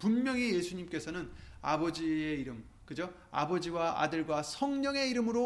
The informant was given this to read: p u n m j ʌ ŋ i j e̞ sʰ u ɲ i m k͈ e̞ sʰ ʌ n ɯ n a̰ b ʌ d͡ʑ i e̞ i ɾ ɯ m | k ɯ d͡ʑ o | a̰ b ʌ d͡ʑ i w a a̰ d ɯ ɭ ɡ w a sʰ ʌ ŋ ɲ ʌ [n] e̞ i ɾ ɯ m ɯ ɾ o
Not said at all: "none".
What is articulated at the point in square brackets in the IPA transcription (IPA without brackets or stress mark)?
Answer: ŋ